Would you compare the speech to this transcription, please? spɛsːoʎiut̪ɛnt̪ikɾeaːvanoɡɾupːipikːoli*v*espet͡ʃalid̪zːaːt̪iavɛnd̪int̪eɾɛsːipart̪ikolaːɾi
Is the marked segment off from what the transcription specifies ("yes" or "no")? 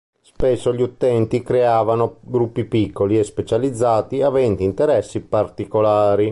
yes